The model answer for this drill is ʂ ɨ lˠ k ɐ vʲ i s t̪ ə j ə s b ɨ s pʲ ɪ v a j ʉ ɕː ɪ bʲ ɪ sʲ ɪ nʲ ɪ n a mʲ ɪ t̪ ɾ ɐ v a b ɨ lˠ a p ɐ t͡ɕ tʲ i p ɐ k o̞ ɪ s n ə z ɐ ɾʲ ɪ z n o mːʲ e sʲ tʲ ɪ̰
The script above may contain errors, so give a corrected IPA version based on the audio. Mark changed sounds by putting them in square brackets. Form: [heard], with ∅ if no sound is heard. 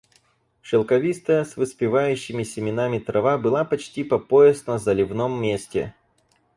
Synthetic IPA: ʂ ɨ lˠ k ɐ vʲ i s t̪ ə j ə s [v] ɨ s pʲ ɪ v a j ʉ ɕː ɪ [mʲ] ɪ sʲ ɪ [mʲ] ɪ n a mʲ ɪ t̪ ɾ ɐ v a b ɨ lˠ a p ɐ t͡ɕ tʲ i p ɐ [p] o̞ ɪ s n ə z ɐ [lʲ] ɪ [v] n o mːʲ e sʲ tʲ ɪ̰